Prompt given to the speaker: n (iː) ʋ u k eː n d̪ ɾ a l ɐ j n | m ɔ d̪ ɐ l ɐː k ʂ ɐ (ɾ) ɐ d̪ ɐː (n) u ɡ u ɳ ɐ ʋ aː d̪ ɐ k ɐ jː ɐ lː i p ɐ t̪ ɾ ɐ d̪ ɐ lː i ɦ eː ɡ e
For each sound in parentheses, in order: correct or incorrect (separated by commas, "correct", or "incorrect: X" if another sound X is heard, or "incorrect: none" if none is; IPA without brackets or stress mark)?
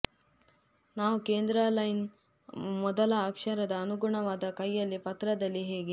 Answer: incorrect: aː, correct, correct